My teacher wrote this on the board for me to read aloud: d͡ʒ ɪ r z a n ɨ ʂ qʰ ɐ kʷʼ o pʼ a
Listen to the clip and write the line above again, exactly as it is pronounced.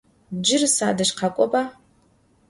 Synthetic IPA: d͡ʒ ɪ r s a d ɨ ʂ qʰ a kʷʼ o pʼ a